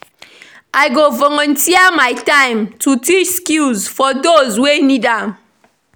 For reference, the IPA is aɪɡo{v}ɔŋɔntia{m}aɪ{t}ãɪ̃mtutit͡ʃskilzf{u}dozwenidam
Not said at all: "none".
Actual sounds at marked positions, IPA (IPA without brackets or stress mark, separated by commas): v, m, t, ɔ